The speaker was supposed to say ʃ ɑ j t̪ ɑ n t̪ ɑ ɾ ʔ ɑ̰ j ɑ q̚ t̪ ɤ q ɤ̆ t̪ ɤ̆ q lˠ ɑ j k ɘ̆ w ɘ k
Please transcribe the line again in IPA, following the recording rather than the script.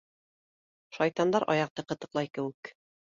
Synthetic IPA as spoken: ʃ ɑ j t̪ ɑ n d̪ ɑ ɾ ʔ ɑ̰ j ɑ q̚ t̪ ɤ q ɤ̆ t̪ ɤ̆ q lˠ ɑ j k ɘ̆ w ɘ k